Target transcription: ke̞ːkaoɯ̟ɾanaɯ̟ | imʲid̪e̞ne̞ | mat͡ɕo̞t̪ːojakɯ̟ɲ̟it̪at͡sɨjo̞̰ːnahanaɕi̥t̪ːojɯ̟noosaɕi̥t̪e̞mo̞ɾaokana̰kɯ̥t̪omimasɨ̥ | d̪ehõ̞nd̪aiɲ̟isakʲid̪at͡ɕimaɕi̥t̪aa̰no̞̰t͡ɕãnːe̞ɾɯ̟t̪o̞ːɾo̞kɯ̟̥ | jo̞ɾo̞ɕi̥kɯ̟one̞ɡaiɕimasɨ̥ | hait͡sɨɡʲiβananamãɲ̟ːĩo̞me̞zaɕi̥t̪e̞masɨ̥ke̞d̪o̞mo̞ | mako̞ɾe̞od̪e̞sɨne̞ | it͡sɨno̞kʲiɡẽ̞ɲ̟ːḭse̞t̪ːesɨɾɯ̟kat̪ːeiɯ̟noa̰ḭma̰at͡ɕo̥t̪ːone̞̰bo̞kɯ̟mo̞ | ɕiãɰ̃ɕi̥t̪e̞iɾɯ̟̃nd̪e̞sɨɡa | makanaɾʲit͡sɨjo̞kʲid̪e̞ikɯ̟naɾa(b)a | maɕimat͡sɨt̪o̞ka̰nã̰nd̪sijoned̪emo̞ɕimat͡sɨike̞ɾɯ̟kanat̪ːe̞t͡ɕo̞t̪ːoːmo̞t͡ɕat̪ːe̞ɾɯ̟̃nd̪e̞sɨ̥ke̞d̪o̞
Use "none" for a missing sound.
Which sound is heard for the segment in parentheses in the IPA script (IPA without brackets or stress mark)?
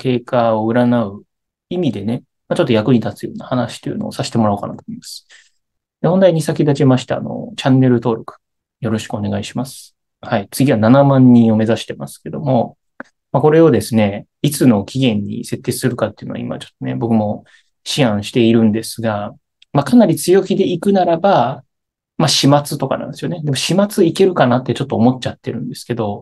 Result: b